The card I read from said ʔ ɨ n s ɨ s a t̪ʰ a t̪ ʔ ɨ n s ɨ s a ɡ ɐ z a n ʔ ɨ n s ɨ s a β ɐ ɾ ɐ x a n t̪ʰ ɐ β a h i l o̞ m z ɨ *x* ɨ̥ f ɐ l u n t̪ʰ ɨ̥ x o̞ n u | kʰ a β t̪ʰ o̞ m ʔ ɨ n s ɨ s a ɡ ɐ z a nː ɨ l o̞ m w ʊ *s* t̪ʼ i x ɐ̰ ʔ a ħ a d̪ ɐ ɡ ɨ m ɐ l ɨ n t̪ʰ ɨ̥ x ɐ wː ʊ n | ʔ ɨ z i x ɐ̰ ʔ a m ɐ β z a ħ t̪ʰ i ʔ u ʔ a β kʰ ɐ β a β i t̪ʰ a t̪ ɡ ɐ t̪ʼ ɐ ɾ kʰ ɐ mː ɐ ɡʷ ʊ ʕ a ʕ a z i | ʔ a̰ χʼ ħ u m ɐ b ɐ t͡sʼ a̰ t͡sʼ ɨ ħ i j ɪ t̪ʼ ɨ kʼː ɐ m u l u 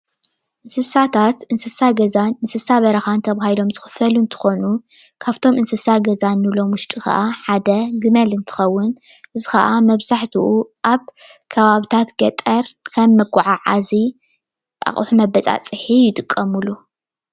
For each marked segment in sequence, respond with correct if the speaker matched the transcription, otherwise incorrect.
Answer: correct, incorrect: ʃ

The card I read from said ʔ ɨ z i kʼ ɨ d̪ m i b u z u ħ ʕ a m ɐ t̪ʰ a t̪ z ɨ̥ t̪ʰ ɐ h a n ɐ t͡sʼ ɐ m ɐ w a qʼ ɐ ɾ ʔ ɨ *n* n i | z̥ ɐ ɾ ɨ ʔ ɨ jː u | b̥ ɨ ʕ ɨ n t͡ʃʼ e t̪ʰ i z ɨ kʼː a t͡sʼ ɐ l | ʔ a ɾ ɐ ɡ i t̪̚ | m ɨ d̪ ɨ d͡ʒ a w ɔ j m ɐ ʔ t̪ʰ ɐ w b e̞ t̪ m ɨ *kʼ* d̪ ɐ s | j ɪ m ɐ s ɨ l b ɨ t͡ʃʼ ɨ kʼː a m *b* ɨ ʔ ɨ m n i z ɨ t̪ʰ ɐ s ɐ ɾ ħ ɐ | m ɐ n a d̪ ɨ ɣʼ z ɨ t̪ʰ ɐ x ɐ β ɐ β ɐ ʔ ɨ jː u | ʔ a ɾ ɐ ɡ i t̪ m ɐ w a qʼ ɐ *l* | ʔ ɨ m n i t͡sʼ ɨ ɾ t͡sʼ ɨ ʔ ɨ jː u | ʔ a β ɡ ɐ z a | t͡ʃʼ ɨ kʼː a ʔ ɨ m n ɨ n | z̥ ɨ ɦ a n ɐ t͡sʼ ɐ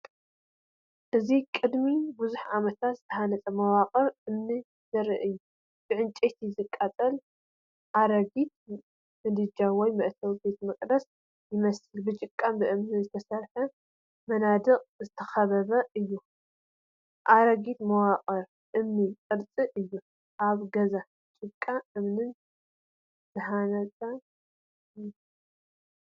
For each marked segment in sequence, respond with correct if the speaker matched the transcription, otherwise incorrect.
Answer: incorrect: m, correct, correct, incorrect: ɾ

